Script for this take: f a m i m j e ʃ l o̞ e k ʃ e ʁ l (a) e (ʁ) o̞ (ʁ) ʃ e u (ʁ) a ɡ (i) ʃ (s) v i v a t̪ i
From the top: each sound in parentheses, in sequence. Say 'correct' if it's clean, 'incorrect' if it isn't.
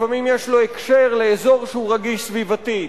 incorrect: e, incorrect: z, correct, correct, correct, correct

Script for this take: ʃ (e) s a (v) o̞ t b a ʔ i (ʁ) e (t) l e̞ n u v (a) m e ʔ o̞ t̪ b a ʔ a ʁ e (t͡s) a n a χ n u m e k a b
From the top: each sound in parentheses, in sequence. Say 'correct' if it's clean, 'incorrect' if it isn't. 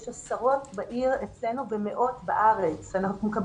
incorrect: a, incorrect: ʁ, correct, incorrect: t͡s, incorrect: e, correct

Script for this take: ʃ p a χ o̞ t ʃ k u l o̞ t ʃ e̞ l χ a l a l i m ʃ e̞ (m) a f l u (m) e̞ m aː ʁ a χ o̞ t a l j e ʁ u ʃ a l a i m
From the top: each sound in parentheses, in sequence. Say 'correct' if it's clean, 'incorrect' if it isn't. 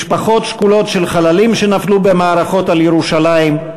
incorrect: n, incorrect: b

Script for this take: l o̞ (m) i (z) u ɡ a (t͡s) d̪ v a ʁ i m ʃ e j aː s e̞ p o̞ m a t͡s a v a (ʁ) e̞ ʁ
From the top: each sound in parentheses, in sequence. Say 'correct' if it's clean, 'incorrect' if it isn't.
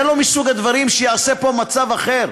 correct, incorrect: s, incorrect: none, incorrect: χ

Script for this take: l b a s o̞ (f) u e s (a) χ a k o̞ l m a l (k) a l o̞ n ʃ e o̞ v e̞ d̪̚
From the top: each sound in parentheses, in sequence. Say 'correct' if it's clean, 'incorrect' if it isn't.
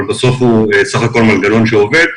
correct, correct, incorrect: ɡ

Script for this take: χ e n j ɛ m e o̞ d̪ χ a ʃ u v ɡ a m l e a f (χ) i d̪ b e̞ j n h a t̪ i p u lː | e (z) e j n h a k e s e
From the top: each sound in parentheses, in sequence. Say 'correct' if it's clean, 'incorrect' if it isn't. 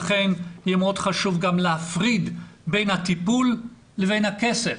incorrect: ʁ, incorrect: v

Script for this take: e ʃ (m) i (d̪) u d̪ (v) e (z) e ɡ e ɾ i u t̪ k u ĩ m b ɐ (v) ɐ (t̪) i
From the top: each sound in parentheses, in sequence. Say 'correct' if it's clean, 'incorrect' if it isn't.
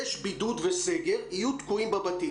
incorrect: b, correct, correct, incorrect: s, incorrect: b, correct

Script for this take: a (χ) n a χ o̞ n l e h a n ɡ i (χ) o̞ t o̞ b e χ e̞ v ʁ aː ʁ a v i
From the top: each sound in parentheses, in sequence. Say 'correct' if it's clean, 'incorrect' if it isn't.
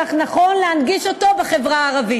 correct, incorrect: ʃ

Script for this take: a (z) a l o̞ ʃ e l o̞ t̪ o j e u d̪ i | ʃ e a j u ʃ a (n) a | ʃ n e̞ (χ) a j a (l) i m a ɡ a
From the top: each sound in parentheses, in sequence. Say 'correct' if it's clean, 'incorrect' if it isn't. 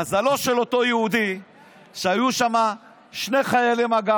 correct, incorrect: m, correct, correct

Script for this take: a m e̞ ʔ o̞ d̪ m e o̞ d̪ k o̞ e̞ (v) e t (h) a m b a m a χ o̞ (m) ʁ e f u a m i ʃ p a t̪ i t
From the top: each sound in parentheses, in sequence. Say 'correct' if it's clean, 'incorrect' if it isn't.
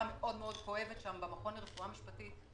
correct, incorrect: ʃ, incorrect: n

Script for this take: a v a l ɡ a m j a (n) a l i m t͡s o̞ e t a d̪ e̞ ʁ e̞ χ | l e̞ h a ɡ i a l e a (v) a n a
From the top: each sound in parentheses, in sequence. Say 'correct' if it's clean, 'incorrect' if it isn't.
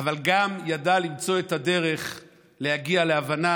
incorrect: d, correct

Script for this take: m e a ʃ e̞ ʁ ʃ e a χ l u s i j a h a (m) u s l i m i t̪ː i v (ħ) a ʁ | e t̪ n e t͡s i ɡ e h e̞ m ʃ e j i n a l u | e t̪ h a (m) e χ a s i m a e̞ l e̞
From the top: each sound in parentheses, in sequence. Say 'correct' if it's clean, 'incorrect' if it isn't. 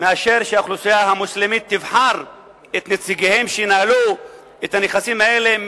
correct, correct, incorrect: n

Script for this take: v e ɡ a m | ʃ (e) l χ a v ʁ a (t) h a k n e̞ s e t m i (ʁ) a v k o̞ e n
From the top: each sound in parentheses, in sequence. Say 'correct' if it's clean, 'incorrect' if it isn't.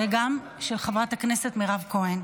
correct, correct, correct

